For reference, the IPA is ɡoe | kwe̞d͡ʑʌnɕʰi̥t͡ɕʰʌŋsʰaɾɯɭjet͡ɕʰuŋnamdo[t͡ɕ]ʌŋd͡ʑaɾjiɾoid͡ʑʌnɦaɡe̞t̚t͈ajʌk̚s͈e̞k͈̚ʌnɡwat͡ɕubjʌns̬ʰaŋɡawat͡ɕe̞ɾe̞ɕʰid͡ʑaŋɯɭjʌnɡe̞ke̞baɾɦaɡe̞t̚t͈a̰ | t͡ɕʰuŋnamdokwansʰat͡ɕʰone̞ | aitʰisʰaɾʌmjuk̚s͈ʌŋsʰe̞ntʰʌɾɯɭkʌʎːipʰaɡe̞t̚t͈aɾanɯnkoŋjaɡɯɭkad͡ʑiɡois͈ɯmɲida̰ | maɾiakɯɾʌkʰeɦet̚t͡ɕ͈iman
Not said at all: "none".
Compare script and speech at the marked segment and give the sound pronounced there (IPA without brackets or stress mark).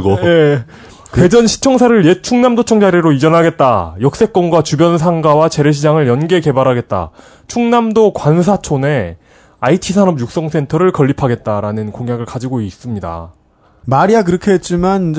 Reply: t͡ɕʰ